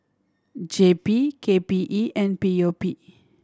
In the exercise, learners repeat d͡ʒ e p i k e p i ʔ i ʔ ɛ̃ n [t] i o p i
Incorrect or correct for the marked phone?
incorrect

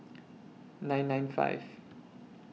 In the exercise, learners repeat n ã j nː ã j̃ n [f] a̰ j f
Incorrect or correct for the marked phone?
correct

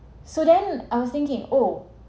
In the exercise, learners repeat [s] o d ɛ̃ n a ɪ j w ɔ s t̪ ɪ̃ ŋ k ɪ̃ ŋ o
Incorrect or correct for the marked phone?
correct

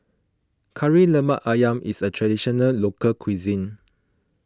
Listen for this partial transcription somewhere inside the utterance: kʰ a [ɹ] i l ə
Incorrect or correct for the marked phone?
correct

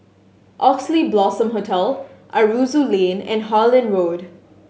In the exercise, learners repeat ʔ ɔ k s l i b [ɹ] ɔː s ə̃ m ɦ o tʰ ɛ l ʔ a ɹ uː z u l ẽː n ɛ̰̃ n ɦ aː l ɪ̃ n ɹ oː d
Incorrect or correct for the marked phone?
incorrect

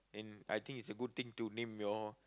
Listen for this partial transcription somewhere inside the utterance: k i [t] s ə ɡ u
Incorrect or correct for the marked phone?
correct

